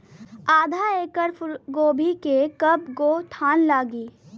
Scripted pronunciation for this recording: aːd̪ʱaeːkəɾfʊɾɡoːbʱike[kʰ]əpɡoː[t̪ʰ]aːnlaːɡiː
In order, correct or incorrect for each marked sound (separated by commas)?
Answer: incorrect, correct